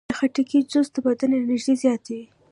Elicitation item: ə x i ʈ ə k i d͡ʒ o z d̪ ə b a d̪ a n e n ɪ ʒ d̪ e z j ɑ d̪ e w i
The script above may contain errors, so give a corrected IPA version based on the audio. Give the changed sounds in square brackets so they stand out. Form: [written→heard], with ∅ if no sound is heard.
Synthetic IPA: ə x [i→a] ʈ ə k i d͡ʒ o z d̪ ə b a d̪ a n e n ɪ ʒ d̪ e z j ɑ [d̪→t̪] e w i